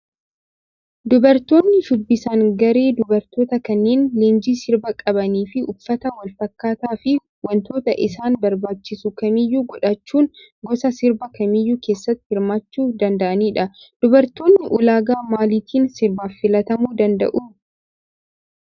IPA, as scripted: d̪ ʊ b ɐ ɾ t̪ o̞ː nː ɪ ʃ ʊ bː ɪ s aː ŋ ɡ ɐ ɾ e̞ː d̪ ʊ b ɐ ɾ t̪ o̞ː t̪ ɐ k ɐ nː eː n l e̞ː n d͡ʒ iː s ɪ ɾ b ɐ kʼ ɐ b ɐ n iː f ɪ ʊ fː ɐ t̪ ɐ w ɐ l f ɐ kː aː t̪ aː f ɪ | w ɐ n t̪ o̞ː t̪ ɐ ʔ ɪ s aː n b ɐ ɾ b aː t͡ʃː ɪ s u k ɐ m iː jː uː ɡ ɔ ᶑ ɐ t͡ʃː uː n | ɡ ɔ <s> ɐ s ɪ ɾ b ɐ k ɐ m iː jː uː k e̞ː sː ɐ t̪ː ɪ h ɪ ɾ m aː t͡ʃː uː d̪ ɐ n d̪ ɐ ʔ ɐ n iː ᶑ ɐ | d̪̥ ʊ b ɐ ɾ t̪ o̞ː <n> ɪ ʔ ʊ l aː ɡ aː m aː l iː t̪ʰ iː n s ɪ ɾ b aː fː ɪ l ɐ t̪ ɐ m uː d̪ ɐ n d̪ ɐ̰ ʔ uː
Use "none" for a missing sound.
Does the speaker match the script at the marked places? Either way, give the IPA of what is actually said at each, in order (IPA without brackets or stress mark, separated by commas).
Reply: s, nː